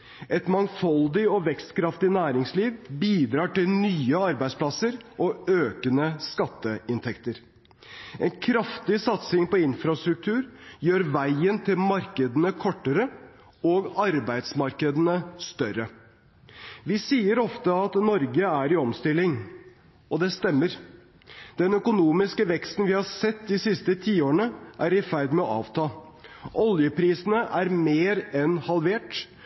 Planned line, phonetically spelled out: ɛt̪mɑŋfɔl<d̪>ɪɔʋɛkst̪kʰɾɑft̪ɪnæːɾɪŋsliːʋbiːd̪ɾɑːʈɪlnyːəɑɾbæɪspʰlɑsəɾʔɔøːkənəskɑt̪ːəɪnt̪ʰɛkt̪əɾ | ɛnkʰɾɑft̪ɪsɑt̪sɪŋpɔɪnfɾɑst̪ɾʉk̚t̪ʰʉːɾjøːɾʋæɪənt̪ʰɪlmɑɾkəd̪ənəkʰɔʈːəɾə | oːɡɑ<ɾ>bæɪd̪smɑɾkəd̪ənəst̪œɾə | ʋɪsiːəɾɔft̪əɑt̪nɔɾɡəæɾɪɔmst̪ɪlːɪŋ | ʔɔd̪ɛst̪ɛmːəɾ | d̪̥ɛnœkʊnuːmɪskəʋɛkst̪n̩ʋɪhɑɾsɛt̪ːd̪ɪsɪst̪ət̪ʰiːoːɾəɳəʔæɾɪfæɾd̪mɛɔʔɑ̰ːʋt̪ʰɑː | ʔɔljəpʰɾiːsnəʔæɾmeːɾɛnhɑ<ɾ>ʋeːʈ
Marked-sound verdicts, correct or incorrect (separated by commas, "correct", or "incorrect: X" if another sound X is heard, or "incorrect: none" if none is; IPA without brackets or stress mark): correct, correct, incorrect: l